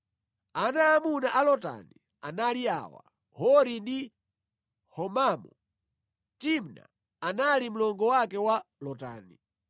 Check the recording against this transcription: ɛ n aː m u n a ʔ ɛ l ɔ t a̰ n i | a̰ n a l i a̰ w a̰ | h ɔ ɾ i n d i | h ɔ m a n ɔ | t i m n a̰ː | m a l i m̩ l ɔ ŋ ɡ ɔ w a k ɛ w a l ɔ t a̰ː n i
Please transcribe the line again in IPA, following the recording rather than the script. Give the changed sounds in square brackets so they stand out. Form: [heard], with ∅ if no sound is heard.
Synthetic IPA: [a] n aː m u n a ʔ [a] l ɔ t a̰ n i | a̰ n a l i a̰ w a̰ | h ɔ ɾ i n d i | h ɔ m a [m] ɔ | t i m n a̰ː | [n] a l i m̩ l ɔ ŋ ɡ ɔ w a k ɛ w a l ɔ t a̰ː n i